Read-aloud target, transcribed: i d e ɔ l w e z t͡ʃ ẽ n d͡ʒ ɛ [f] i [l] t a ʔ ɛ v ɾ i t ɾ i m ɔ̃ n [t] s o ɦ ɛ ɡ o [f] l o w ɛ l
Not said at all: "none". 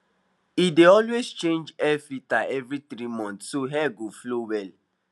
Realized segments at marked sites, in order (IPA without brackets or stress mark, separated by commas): f, none, t, f